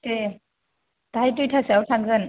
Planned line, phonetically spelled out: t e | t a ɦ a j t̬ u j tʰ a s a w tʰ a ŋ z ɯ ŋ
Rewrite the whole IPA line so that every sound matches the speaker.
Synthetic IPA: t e | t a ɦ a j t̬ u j tʰ a s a w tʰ a ŋ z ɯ n